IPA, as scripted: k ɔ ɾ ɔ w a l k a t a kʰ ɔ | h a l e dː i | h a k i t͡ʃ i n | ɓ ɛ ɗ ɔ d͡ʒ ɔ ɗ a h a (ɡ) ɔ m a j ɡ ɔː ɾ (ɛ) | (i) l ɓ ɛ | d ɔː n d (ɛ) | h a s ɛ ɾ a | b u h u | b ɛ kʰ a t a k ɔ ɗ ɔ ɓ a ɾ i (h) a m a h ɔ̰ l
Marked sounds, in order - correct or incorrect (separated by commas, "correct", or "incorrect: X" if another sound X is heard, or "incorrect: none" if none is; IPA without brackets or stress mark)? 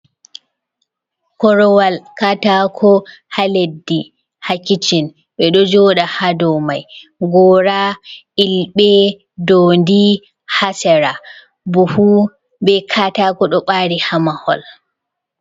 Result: incorrect: d, incorrect: a, correct, incorrect: i, correct